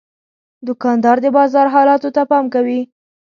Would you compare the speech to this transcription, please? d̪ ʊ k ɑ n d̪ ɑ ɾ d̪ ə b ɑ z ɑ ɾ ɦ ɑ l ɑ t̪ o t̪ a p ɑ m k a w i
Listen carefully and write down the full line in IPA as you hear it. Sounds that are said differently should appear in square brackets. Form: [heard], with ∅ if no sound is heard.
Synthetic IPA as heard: d̪ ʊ k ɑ n d̪ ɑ ɾ d̪ ə b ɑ z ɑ ɾ ɦ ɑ l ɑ t̪ o t̪ a p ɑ m k a w i